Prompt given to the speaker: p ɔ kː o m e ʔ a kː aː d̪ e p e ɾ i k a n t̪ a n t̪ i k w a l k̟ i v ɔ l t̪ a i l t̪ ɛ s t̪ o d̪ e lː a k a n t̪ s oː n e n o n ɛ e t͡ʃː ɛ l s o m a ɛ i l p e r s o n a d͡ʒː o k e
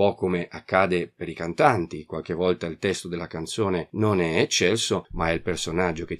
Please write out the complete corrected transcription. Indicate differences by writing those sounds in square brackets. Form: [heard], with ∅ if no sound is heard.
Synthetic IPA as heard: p ɔ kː o m e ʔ a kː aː d̪ e p e ɾ i k a n t̪ a n t̪ i k w a l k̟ [e] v ɔ l t̪ a i l t̪ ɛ s t̪ o d̪ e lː a k a n t̪ s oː n e n o n ɛ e t͡ʃː ɛ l s o m a ɛ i l p e r s o n a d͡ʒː o k e